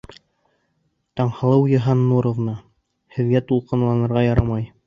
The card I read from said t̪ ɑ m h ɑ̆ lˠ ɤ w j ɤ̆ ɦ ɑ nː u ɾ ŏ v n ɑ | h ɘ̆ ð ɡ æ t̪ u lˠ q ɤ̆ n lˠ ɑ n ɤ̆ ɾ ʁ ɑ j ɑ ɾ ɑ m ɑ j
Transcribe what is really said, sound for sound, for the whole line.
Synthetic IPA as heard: t̪ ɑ ɴ h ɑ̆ lˠ ɤ w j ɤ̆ ɦ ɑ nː u ɾ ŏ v n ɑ | h ɘ̆ ð ɡ æ t̪ u lˠ q ɤ̆ n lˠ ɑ n ɤ̆ ɾ ʁ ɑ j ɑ ɾ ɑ m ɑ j